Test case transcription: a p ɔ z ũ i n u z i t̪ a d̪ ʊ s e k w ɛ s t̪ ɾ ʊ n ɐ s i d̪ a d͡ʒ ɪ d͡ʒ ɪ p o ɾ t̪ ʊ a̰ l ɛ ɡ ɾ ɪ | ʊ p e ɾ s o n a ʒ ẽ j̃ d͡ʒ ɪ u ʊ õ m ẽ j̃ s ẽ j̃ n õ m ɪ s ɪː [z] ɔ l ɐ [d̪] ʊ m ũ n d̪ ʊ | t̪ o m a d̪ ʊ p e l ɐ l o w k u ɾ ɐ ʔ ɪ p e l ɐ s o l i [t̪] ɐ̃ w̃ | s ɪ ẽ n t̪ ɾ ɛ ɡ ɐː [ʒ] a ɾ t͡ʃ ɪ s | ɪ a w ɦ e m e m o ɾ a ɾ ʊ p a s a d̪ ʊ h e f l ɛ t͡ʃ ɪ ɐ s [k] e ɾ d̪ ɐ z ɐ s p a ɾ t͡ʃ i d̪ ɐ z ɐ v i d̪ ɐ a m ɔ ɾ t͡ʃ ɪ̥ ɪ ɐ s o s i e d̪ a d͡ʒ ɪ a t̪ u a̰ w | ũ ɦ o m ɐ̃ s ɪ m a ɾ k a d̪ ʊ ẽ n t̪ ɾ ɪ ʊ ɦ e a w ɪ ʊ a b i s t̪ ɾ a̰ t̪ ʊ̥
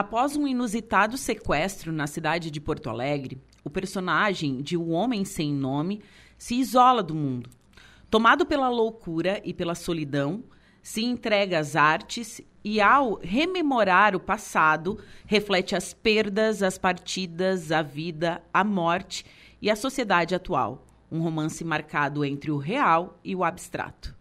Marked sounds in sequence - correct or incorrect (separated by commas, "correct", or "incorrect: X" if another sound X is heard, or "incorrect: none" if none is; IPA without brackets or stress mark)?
correct, correct, incorrect: d̪, incorrect: z, incorrect: p